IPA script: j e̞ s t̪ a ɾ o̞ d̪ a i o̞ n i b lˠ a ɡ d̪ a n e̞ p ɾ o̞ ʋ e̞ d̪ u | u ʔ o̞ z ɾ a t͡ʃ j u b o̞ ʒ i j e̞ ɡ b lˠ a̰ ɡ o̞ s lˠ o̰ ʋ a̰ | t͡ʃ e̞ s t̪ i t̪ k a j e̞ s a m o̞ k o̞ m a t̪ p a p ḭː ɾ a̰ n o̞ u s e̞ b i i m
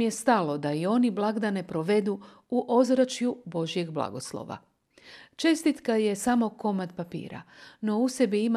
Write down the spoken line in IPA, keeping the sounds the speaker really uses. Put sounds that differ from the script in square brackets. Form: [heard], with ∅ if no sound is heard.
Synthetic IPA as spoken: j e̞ s t̪ a [l] o̞ d̪ a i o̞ n i b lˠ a ɡ d̪ a n e̞ p ɾ o̞ ʋ e̞ d̪ u | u ʔ o̞ z ɾ a t͡ʃ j u b o̞ ʒ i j e̞ ɡ b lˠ a̰ ɡ o̞ s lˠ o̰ ʋ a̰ | t͡ʃ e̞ s t̪ i t̪ k a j e̞ s a m o̞ k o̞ m a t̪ p a p ḭː ɾ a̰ n o̞ u s e̞ b i i m